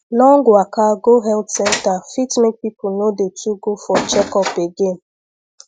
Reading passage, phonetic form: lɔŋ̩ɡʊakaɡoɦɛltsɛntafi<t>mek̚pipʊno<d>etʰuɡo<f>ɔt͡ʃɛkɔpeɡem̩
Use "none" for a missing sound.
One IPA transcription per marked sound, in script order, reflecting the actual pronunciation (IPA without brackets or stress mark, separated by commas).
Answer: t, d, f